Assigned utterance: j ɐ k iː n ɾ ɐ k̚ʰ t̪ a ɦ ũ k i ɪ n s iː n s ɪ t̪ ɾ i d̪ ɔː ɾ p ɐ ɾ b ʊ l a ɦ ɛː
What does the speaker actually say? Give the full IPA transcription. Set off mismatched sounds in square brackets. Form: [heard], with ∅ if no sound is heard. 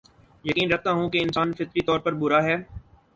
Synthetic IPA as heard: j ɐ k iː n ɾ ɐ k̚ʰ t̪ a ɦ ũ k [e] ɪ n s [aː] n [f] ɪ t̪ ɾ i [t̪] ɔː ɾ p ɐ ɾ b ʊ [ɾ] a ɦ ɛː